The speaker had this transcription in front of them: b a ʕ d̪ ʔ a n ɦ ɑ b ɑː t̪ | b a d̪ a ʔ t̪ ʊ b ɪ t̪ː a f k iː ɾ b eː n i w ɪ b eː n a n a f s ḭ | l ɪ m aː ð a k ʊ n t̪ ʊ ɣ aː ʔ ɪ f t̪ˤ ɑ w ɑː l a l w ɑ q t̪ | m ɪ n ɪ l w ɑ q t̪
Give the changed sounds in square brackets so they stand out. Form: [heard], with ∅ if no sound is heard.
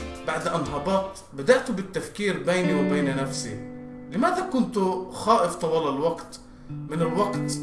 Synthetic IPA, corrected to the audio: b a ʕ d̪ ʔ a n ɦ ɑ b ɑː t̪ | b a d̪ a ʔ t̪ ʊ b ɪ t̪ː a f k iː ɾ b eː n i w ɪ b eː n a n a f s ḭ | l ɪ m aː ð a k ʊ n t̪ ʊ [x] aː ʔ ɪ f t̪ˤ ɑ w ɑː l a l w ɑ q t̪ | m ɪ n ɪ l w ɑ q t̪